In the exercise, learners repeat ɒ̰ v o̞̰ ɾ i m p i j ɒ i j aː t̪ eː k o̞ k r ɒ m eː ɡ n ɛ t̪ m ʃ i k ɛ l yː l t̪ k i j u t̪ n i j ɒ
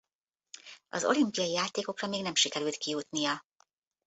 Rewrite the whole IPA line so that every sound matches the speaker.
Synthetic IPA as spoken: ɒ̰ z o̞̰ l i m p i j ɒ i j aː t̪ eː k o̞ k r ɒ m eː ɡ n ɛ m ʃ i k ɛ ɾ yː l t̪ k i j u t̪ n i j ɒ